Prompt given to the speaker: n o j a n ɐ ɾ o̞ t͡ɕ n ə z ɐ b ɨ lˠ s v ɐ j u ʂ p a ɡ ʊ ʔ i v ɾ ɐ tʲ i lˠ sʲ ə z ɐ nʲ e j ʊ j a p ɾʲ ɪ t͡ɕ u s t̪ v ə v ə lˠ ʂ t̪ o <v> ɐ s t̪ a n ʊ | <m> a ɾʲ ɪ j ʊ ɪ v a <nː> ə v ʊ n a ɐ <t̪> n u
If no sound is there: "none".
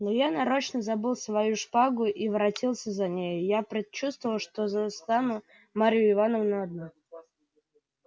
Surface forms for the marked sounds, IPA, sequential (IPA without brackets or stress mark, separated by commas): z, m, n, d̪